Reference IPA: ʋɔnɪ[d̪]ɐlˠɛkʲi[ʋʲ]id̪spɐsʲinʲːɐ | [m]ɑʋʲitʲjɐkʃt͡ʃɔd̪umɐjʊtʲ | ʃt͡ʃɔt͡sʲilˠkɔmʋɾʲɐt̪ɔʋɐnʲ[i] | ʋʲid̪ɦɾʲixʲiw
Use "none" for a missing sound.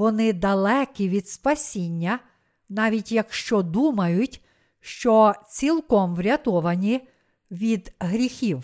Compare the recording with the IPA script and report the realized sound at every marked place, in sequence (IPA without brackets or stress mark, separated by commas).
d̪, ʋʲ, n, i